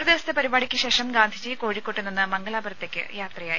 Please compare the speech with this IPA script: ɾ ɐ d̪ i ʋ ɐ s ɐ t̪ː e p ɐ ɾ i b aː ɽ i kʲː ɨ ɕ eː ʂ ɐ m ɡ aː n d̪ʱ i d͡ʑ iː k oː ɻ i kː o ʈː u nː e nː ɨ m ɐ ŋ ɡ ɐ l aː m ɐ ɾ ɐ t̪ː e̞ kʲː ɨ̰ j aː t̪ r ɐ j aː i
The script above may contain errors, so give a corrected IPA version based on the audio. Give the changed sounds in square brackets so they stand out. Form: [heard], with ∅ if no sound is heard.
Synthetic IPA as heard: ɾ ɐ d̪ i ʋ ɐ s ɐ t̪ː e p ɐ ɾ i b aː ɽ i kʲː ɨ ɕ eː ʂ ɐ m ɡ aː n d̪ʱ i d͡ʑ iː k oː ɻ i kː o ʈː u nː [i] nː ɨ m ɐ ŋ ɡ ɐ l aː [b] ɐ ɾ ɐ t̪ː e̞ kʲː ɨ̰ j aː t̪ r ɐ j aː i